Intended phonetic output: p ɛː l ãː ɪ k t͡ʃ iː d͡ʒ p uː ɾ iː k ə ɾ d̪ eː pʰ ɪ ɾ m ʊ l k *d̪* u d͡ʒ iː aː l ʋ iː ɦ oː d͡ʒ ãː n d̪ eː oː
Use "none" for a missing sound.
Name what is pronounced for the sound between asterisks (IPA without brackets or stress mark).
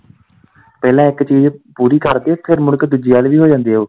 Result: d̪